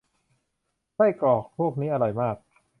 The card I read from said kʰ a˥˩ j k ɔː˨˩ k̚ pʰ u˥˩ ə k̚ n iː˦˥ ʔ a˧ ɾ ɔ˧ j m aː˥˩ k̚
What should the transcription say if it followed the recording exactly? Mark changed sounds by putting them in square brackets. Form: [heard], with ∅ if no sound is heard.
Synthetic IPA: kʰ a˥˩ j k ɔː˨˩ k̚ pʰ u˥˩ ə k̚ n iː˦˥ ʔ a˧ ɾ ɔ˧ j m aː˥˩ k̚